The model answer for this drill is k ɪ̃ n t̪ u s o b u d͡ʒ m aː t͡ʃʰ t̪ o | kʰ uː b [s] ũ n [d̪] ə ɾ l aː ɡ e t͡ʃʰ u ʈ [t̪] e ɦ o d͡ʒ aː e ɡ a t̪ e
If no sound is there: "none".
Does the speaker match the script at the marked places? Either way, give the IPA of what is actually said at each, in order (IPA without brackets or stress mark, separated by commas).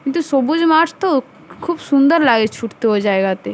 s, d̪, t̪